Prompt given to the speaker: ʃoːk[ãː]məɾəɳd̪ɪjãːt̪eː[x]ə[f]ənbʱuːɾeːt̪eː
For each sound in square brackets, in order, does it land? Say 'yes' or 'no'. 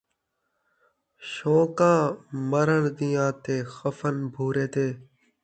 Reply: yes, yes, yes

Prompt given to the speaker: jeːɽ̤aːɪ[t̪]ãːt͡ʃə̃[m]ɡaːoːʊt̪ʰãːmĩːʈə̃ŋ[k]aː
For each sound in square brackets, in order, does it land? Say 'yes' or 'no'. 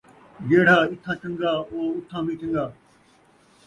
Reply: no, no, no

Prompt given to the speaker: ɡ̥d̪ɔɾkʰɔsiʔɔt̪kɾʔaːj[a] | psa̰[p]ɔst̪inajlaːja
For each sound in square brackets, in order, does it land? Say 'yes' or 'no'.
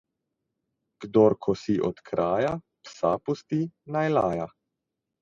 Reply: yes, yes

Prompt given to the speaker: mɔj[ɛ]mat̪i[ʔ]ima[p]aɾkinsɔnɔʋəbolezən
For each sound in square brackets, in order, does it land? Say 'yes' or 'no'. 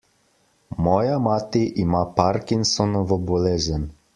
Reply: no, yes, yes

